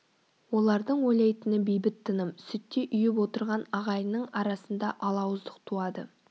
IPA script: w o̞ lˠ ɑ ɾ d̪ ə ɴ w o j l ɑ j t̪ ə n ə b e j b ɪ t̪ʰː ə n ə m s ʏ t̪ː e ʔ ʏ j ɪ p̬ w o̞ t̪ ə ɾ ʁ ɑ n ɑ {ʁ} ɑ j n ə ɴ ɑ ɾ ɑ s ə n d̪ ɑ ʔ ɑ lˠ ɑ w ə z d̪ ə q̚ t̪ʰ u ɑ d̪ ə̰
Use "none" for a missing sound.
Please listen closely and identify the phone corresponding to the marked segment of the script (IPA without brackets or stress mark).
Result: ʁ